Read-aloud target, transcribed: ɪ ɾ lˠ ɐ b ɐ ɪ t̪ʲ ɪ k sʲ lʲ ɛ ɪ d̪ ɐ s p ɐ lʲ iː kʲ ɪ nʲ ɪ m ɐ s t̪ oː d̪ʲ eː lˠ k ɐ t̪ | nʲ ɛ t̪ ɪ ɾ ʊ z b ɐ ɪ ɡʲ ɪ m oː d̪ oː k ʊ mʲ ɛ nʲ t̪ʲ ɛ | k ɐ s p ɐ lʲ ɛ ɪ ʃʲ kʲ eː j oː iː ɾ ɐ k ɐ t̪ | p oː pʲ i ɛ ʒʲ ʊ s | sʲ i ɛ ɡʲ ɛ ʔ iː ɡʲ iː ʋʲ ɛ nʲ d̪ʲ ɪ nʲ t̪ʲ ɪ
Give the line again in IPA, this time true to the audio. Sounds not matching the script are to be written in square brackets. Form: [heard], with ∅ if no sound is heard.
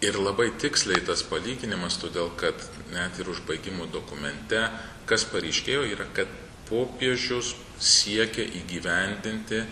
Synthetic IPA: ɪ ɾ lˠ ɐ b ɐ ɪ t̪ʲ ɪ k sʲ lʲ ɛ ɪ [t̪] ɐ s p ɐ lʲ iː [ɡʲ] ɪ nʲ ɪ m ɐ s t̪ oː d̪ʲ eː lˠ k ɐ t̪ | nʲ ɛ t̪ ɪ ɾ ʊ [ʒ] b ɐ ɪ ɡʲ ɪ m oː d̪ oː k ʊ mʲ ɛ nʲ t̪ʲ ɛ | k ɐ s p ɐ [ɾʲ] ɛ ɪ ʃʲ kʲ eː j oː iː ɾ ɐ k ɐ t̪ | p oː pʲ i ɛ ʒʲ ʊ s | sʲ i ɛ [kʲ] ɛ ʔ iː ɡʲ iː ʋʲ ɛ nʲ d̪ʲ ɪ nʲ t̪ʲ ɪ